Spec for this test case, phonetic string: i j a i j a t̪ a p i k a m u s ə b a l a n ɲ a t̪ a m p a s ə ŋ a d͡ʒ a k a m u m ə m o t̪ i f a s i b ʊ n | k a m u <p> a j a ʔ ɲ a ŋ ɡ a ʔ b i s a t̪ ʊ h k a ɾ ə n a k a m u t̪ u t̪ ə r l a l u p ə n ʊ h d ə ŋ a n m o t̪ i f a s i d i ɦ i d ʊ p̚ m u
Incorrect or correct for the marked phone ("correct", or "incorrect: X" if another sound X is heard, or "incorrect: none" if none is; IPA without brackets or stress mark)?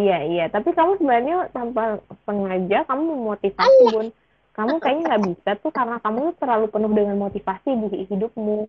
incorrect: k